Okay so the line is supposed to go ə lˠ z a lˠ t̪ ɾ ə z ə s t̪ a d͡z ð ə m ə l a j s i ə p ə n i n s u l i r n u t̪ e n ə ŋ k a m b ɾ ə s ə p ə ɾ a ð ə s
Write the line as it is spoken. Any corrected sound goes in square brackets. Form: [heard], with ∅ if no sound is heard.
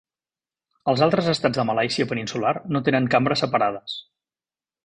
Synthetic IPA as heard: ə lˠ z a lˠ t̪ ɾ ə z ə s t̪ a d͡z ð ə m ə l a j s i ə p ə n i n s u l [a] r n [o] t̪ e n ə ŋ k a m b ɾ ə s ə p ə ɾ a ð ə s